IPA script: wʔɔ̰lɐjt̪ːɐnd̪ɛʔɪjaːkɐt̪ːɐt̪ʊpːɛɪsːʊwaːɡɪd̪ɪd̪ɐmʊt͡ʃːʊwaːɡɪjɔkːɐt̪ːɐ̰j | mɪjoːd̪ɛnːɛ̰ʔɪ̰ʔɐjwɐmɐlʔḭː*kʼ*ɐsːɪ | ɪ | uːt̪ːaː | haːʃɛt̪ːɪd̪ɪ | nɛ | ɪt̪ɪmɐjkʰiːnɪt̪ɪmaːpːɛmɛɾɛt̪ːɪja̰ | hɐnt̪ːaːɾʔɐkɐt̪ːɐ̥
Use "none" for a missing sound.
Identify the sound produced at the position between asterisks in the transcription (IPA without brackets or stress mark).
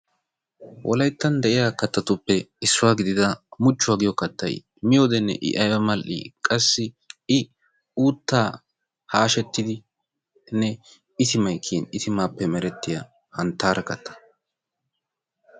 kʼ